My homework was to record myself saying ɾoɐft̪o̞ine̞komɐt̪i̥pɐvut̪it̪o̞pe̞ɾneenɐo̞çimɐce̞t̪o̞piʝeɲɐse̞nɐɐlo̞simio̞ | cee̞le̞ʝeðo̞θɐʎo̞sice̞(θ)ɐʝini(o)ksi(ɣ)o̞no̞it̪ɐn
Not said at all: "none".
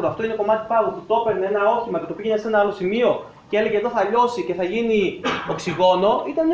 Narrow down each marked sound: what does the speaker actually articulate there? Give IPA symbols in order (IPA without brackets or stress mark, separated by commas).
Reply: θ, o, ɣ